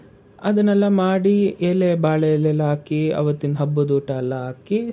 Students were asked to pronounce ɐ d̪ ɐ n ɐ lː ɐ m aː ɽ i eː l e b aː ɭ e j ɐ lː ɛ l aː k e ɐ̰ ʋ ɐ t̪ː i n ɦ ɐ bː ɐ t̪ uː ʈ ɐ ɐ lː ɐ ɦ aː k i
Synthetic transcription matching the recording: ɐ d̪ ɐ n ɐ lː ɐ m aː ɽ i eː l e b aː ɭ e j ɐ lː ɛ l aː k i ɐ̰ ʋ ɐ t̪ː i n ɦ ɐ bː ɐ d̪ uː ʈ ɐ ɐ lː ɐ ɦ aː k i